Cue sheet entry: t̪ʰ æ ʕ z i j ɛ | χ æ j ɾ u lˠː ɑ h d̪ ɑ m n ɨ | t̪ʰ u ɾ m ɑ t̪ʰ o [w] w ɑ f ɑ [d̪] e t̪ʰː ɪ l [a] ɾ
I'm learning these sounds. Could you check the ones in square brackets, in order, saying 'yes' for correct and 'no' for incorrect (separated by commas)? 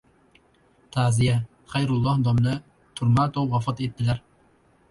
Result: yes, no, no